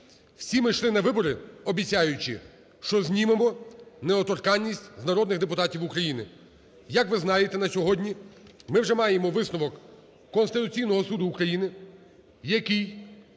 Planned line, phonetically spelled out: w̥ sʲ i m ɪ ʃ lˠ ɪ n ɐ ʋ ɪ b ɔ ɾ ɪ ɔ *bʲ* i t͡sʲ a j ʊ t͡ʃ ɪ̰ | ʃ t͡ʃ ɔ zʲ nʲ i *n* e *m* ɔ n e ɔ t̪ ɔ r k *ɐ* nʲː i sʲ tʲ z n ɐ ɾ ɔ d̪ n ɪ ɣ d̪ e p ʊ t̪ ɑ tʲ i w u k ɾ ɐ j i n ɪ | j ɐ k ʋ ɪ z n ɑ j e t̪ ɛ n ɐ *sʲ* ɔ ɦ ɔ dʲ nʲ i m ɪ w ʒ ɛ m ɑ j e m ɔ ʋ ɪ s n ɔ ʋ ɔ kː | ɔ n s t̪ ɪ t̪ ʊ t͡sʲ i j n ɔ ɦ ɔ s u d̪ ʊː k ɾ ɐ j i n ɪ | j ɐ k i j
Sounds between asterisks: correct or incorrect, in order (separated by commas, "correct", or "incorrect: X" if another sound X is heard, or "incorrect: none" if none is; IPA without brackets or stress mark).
correct, incorrect: m, correct, incorrect: ɑ, correct